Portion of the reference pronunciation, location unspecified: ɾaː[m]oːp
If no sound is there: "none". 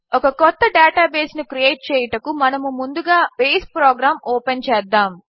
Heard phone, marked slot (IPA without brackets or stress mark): m